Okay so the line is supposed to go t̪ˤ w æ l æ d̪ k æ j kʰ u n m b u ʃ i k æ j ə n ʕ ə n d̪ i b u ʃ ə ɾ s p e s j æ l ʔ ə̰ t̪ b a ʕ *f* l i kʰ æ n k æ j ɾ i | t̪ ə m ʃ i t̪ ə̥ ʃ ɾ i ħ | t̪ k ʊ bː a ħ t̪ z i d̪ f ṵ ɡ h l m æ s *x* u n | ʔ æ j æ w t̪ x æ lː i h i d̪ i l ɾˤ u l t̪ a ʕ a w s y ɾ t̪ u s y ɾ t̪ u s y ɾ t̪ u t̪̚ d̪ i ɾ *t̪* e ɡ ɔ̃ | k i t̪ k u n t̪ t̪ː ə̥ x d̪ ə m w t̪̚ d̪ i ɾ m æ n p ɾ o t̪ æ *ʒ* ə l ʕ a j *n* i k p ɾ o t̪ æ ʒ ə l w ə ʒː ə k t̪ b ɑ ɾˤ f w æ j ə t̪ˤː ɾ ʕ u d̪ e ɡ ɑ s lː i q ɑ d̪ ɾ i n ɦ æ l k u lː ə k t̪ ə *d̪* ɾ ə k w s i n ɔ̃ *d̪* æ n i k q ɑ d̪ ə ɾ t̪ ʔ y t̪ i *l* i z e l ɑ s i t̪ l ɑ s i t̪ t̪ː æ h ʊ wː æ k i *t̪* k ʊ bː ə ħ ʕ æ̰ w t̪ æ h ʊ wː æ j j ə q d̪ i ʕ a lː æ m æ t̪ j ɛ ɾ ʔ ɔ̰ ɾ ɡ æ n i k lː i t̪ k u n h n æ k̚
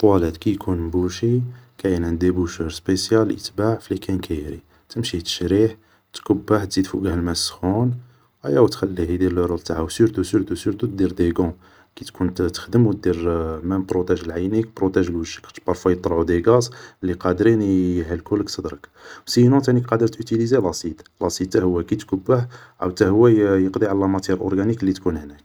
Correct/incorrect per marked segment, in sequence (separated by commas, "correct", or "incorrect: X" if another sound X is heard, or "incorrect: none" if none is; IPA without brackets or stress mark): correct, correct, incorrect: d̪, correct, correct, correct, incorrect: t̪, correct, correct